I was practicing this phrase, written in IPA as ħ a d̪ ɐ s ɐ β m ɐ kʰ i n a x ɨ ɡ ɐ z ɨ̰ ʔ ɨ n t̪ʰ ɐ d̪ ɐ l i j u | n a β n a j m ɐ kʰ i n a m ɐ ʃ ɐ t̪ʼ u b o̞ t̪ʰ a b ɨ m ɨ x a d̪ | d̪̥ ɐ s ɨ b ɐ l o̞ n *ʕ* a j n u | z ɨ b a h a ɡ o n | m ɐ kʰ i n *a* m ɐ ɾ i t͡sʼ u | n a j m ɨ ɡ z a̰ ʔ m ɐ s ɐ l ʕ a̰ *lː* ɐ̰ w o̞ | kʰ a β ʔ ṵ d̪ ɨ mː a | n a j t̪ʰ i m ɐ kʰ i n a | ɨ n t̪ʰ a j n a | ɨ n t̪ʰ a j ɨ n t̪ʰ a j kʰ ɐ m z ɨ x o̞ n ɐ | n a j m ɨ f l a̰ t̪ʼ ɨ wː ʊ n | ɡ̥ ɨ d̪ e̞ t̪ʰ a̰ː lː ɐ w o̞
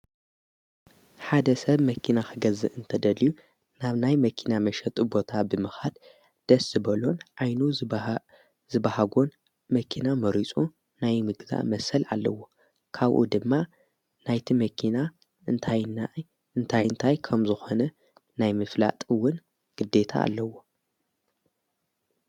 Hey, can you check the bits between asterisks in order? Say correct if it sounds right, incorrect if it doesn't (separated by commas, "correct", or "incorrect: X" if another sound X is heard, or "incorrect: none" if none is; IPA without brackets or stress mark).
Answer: correct, correct, correct